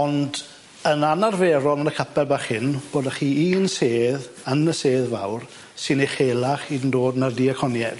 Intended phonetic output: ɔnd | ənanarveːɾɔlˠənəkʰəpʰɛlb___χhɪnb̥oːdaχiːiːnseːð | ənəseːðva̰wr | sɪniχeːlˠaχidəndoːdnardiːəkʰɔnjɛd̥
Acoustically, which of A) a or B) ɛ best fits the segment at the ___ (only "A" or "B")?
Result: A